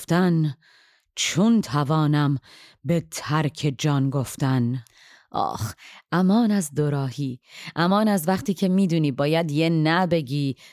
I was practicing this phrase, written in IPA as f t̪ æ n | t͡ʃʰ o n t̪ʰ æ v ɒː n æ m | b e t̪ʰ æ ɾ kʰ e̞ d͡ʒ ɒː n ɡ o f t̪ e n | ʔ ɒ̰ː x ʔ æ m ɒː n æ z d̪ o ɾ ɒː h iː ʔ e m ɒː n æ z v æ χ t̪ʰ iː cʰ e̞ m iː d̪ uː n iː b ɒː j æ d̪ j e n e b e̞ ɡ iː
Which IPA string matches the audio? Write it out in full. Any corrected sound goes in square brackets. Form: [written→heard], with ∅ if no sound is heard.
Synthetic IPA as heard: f t̪ æ n | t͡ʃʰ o n t̪ʰ æ v ɒː n æ m | b e t̪ʰ æ ɾ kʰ e̞ d͡ʒ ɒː n ɡ o f t̪ [e→æ] n | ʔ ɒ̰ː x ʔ æ m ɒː n æ z d̪ o ɾ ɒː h iː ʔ [e→æ] m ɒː n æ z v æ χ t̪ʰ iː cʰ e̞ m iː d̪ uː n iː b ɒː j æ d̪ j e n [e→æ] b e̞ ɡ iː